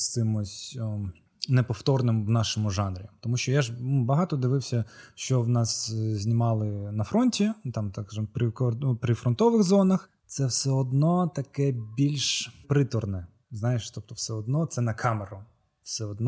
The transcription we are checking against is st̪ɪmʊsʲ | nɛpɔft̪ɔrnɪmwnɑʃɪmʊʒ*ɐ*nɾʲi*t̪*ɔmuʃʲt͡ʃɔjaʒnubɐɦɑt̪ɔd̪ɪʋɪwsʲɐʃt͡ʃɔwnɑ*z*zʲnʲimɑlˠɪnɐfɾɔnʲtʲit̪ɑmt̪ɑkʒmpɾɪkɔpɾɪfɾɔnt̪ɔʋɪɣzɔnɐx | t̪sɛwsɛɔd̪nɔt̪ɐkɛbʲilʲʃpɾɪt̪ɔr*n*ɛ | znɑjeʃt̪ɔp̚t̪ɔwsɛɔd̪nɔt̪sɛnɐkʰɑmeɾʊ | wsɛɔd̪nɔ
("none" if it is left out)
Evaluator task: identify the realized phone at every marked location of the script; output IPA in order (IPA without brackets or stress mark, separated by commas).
ɑ, t̪, s, n